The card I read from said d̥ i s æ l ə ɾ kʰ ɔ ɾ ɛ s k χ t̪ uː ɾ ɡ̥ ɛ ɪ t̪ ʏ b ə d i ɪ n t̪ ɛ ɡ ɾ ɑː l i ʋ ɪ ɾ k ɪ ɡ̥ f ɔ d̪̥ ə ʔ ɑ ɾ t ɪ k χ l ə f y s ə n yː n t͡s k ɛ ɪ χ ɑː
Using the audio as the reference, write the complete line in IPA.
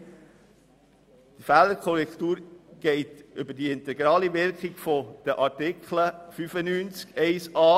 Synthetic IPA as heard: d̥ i f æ l ə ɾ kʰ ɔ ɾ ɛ k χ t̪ uː ɾ ɡ̥ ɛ ɪ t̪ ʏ b ə d i ɪ n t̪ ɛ ɡ ɾ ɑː l i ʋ ɪ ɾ k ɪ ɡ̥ f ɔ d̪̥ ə ʔ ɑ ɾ t ɪ k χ l ə f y f ə n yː n t͡s k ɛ ɪ s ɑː